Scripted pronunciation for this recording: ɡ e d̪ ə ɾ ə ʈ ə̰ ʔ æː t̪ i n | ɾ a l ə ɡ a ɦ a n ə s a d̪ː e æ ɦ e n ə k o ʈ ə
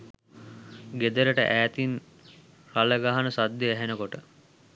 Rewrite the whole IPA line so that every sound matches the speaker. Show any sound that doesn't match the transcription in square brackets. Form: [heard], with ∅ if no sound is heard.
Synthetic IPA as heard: ɡ e d̪ ə ɾ ə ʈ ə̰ ʔ æː t̪ i n | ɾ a l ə ɡ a ɦ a n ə s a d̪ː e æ ɦ e n ə k o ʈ ə